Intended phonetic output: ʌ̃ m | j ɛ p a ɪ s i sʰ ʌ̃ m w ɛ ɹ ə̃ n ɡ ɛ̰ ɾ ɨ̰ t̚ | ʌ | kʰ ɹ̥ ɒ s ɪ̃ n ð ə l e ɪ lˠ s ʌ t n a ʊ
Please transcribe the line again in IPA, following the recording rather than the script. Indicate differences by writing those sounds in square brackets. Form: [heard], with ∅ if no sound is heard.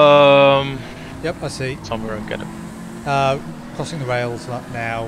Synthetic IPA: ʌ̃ m | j ɛ p a ɪ s i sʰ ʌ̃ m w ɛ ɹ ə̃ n ɡ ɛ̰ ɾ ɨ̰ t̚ | ʌ | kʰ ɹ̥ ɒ s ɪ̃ [ŋ] ð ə [ɹ] e ɪ lˠ [z] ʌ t n a ʊ